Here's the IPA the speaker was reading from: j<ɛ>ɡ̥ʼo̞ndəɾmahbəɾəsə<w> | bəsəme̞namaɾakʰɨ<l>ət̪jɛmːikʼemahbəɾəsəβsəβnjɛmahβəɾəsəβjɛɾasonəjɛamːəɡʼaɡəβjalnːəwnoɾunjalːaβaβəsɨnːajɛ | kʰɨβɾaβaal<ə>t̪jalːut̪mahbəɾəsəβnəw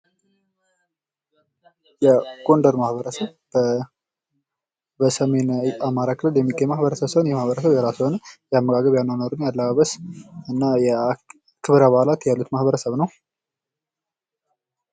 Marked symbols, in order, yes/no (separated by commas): yes, no, yes, no